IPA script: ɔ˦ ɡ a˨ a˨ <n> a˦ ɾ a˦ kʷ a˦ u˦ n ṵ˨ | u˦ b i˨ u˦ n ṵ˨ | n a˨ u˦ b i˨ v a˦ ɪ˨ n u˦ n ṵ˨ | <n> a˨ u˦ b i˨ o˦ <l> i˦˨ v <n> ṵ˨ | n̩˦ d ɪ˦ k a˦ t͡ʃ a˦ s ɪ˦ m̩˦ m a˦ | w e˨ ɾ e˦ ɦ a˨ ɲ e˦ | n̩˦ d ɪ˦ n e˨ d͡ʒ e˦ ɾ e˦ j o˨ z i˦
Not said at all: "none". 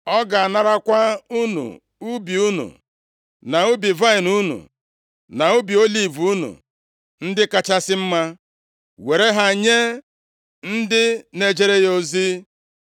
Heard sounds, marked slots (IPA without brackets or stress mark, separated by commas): n, n, l, n